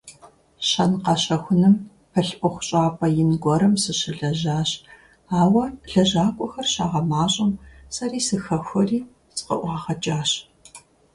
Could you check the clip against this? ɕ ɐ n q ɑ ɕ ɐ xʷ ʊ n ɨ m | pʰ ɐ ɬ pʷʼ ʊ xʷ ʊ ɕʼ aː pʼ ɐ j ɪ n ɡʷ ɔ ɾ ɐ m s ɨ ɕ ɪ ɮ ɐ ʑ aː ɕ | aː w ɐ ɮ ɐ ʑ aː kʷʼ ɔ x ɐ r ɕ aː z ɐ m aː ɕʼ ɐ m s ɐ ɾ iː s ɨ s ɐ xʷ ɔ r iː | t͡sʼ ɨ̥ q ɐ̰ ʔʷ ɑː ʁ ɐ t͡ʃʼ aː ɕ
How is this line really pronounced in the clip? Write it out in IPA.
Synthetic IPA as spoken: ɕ ɐ n q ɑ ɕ ɐ xʷ ʊ n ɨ m | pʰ ɐ ɬ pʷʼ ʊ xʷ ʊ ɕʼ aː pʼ ɐ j ɪ n ɡʷ ɔ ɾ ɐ m s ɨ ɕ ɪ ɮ ɐ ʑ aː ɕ | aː w ɐ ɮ ɐ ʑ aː kʷʼ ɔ x ɐ r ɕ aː ʁ ɐ m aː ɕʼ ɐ m s ɐ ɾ iː s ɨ x ɐ xʷ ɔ r iː | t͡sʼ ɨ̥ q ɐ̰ ʔʷ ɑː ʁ ɐ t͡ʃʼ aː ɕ